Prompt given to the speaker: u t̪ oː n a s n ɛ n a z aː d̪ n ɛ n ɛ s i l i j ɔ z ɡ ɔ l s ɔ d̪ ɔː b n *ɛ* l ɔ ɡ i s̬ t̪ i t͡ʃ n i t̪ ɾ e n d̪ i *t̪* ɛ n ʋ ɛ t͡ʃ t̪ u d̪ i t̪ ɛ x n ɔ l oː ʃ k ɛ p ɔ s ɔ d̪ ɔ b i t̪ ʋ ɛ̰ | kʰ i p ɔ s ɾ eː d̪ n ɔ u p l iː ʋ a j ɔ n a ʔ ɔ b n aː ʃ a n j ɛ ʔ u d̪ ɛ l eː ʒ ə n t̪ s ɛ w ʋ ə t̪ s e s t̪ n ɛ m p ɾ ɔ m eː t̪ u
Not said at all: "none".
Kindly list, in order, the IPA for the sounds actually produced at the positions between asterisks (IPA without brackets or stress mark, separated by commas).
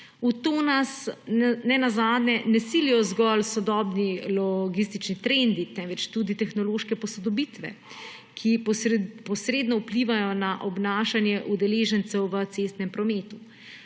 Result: i, t̪